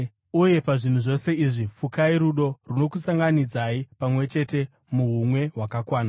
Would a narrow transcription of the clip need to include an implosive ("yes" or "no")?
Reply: yes